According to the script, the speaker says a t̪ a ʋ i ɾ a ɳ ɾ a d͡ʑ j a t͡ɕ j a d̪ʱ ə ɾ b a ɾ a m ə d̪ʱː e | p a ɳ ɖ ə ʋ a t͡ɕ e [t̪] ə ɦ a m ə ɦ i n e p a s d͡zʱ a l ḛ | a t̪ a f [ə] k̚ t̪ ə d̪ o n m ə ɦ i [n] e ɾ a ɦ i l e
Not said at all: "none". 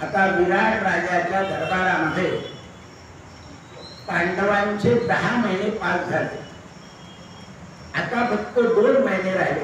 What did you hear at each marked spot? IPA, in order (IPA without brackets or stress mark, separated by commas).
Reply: d̪, ə, n